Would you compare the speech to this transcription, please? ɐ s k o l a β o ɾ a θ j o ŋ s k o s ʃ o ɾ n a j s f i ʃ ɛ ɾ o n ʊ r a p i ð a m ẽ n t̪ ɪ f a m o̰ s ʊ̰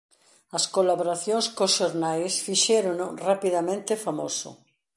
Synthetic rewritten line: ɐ s k o l a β o ɾ a θ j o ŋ s k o s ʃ o ɾ n a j s f i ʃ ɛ ɾ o n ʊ r a p i ð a m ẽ n t̪ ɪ f a m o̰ s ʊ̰